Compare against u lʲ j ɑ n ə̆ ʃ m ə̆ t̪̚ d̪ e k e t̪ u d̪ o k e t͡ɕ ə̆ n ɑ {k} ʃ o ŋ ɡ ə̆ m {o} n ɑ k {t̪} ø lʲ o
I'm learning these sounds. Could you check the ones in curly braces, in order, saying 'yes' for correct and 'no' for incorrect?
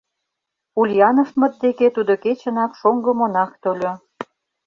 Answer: yes, yes, yes

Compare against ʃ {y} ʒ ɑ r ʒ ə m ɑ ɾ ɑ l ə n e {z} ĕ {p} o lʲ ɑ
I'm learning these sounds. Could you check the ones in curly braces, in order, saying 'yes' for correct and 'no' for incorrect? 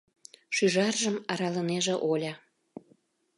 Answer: yes, no, no

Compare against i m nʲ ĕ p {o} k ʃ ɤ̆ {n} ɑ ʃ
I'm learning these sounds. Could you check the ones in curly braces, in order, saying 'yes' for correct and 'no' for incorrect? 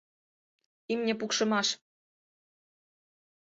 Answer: no, no

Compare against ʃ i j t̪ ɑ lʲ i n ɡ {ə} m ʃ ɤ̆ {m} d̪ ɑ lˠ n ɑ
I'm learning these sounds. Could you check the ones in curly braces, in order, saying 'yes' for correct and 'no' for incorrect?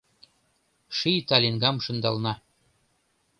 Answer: no, no

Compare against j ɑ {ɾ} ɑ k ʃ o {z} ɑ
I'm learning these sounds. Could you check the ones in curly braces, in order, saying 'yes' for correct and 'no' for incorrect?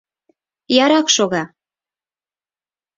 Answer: yes, no

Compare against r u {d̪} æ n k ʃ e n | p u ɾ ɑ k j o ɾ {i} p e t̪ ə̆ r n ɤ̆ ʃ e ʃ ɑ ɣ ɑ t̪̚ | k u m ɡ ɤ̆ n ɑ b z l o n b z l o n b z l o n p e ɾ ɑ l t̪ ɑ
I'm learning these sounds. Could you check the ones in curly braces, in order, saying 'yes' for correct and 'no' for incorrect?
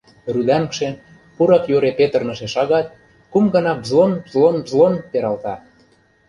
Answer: yes, no

